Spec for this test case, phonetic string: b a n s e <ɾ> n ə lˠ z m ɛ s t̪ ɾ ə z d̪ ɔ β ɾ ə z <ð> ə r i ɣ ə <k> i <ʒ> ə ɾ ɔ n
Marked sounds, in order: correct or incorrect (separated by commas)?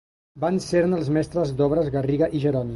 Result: correct, incorrect, incorrect, correct